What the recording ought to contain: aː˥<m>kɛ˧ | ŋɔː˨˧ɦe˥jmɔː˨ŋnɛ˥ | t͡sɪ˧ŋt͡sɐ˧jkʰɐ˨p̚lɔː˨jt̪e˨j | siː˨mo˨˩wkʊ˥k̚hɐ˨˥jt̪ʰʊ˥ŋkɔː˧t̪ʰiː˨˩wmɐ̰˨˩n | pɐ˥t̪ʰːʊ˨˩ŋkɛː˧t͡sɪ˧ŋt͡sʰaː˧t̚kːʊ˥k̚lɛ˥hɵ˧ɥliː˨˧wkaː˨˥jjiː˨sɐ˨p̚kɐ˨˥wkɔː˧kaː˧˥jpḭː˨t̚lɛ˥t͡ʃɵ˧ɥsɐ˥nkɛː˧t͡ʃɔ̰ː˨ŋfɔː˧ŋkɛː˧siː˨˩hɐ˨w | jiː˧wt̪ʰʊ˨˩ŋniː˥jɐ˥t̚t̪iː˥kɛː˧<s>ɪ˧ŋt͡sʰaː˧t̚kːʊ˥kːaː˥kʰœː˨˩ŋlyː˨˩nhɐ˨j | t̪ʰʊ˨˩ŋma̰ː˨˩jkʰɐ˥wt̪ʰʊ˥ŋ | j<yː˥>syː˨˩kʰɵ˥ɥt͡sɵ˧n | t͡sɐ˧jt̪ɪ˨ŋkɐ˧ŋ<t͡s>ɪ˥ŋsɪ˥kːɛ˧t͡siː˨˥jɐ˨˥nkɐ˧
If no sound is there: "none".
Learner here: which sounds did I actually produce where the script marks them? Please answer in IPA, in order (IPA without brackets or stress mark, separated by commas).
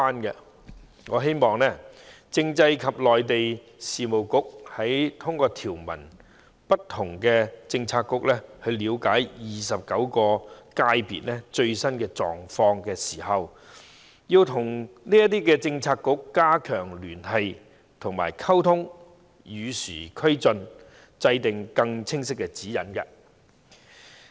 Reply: n, t͡s, yː˨˧, t͡sʰ